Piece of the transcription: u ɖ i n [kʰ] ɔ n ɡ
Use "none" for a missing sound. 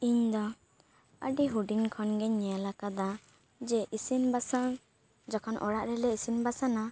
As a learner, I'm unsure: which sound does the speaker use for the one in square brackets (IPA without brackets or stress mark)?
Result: kʰ